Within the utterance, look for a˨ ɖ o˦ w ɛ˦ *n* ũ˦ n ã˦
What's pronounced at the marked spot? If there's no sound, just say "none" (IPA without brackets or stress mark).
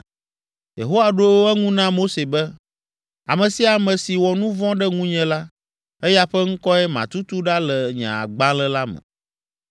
ŋ